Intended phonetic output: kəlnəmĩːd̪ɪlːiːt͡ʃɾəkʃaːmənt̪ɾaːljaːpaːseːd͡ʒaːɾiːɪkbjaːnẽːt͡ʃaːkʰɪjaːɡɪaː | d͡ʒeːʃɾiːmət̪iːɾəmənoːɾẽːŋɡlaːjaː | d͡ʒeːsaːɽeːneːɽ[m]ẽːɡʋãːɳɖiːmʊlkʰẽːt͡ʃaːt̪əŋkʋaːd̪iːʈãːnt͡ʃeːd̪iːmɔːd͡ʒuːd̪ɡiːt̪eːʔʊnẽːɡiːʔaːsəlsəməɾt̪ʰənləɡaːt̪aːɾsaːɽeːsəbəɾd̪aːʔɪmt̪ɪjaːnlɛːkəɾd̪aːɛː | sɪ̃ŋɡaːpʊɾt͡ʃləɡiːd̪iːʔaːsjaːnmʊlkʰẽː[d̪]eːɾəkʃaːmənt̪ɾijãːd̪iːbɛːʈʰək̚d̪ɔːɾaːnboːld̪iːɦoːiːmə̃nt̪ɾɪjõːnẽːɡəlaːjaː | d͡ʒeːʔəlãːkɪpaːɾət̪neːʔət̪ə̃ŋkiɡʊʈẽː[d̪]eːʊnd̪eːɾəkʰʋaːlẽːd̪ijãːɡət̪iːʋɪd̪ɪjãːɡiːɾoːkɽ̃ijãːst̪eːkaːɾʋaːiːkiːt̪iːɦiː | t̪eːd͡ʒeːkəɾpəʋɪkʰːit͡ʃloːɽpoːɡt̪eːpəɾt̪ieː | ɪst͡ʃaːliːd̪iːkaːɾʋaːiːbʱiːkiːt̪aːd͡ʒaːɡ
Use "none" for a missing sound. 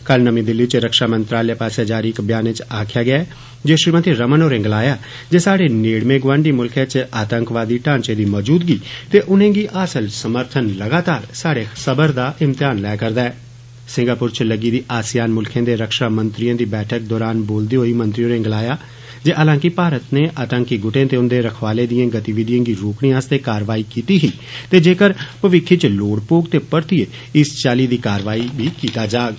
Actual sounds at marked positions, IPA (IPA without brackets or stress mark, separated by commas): m, d̪, t̪